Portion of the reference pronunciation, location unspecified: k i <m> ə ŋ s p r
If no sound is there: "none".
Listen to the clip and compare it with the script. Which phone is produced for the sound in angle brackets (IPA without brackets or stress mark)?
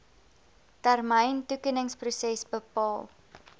n